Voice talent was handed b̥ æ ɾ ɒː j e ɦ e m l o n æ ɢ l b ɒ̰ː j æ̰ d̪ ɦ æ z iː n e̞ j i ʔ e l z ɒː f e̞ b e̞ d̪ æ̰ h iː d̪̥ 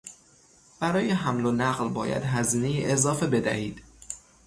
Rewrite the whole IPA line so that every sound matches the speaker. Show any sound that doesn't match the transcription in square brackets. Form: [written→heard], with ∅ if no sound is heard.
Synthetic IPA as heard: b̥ æ ɾ ɒː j e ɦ [e→æ] m l o n æ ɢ l b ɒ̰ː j æ̰ d̪ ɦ æ z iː n e̞ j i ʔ e [l→∅] z ɒː f e̞ b e̞ d̪ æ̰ h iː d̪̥